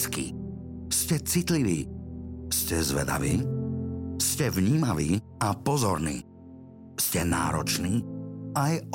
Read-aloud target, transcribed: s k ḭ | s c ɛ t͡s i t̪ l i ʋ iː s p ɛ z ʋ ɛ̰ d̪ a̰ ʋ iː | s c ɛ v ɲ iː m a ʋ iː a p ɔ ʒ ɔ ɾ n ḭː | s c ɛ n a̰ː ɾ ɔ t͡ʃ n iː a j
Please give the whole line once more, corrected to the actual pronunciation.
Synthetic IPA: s k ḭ | s c ɛ t͡s i t̪ l i ʋ iː s c ɛ z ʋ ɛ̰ d̪ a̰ ʋ iː | s c ɛ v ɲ iː m a ʋ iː a p ɔ z ɔ ɾ n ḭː | s c ɛ n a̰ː ɾ ɔ t͡ʃ n iː a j